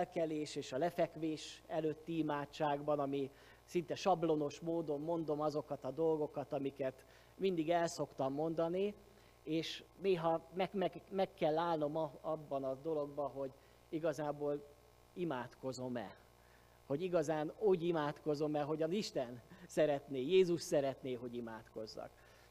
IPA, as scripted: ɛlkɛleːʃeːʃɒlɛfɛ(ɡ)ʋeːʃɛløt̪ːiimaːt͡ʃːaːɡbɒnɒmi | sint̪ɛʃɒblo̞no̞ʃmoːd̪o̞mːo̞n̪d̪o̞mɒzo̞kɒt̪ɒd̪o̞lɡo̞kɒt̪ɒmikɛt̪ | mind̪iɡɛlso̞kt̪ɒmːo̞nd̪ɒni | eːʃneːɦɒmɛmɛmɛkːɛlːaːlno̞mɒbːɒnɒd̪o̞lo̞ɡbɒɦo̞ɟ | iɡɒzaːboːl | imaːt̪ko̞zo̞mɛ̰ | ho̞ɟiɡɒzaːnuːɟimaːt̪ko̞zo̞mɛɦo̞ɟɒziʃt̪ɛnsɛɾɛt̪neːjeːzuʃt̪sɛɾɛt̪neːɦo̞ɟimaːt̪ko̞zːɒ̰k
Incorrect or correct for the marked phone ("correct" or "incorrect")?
incorrect